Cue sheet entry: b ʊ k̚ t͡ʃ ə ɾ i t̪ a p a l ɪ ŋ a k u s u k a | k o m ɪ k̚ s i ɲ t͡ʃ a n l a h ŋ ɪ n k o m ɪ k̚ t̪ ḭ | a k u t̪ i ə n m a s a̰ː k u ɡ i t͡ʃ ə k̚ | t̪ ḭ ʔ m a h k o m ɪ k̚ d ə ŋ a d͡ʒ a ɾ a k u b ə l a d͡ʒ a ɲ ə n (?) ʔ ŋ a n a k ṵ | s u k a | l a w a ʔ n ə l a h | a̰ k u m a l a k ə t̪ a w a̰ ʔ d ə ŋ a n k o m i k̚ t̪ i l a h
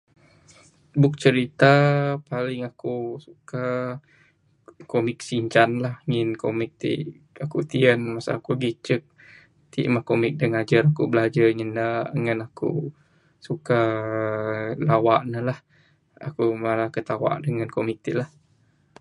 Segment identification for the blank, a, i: a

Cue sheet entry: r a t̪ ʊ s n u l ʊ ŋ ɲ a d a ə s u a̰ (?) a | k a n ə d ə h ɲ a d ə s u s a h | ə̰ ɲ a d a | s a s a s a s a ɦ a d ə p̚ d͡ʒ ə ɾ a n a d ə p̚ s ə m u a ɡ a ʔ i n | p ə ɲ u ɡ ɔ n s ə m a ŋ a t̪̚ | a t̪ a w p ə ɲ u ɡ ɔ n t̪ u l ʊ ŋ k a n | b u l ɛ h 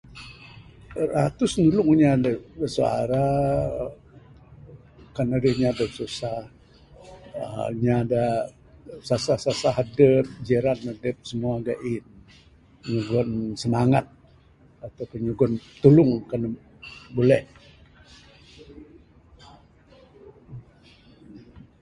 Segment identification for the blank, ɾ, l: ɾ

